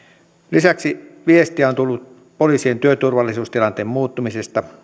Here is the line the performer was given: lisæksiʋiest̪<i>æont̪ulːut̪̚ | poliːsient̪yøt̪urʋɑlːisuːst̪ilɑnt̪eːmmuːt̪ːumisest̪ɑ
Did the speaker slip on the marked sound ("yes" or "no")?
no